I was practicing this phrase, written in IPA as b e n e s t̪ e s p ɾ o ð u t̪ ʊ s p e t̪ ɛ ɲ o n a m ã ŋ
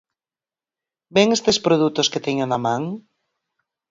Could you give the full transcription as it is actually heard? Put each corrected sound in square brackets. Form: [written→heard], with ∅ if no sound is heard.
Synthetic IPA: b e [n→ŋ] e s t̪ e s p ɾ o ð u t̪ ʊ s [p→k] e t̪ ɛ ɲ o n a m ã ŋ